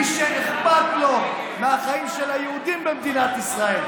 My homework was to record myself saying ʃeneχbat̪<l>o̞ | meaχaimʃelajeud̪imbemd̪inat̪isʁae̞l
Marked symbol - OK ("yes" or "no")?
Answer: yes